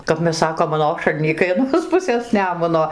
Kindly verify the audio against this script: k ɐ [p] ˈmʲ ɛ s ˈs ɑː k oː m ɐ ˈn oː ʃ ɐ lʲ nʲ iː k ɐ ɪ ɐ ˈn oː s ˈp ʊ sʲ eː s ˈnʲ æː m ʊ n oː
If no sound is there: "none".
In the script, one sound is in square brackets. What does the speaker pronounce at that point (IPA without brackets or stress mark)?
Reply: p